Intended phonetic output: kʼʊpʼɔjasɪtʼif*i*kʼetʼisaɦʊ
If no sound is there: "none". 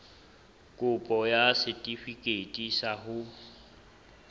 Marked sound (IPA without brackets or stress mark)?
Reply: i